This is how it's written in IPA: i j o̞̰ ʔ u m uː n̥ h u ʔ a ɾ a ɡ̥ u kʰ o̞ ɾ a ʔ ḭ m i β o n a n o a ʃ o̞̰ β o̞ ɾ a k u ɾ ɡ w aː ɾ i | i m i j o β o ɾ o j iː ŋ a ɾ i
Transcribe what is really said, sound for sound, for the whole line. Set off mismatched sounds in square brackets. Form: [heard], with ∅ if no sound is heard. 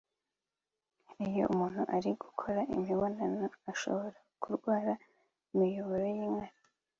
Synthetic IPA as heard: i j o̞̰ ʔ u m uː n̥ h u ʔ a ɾ [i] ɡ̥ u kʰ o̞ ɾ a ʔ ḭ m i β o n a n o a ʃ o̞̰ β o̞ ɾ a k u ɾ ɡ w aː ɾ [a] | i m i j o β o ɾ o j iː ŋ a ɾ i